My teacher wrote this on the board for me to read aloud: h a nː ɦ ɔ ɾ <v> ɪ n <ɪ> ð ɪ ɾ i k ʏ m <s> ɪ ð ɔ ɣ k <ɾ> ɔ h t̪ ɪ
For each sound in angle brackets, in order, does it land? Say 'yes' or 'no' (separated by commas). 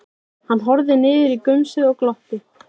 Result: no, no, yes, no